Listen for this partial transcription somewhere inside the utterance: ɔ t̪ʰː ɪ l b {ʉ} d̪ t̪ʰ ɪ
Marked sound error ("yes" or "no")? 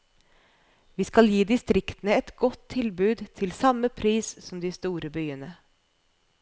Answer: yes